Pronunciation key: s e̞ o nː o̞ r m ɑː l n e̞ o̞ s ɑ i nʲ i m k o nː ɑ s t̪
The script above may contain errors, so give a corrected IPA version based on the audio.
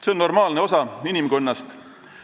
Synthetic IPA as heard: s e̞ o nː o̞ r m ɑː l n e̞ o̞ s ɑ i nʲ i m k o nː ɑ s t̪